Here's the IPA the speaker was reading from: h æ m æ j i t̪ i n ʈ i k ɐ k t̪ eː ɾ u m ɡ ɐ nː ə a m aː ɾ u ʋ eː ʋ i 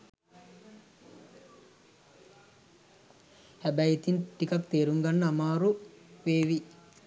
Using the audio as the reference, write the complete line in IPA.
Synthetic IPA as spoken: h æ b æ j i t̪ i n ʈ i k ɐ k t̪ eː ɾ u ŋ ɡ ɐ nː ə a m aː ɾ u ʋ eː ʋ i